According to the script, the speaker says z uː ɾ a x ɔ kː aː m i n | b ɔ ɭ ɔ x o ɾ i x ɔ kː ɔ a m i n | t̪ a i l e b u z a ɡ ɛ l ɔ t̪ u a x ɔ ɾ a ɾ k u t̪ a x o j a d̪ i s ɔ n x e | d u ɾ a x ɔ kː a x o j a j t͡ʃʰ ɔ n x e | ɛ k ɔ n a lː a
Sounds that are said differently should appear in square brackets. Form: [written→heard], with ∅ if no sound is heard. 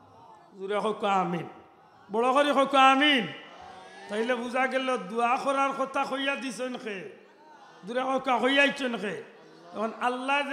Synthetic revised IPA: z [uː→u] ɾ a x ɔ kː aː m i n | b ɔ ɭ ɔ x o ɾ i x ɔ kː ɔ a m i n | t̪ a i l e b u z a ɡ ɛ l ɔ [t̪→d̪] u a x ɔ ɾ a ɾ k [u→ɔ] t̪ a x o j a d̪ i s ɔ n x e | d u ɾ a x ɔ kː a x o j a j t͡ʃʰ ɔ n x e | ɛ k ɔ n a lː a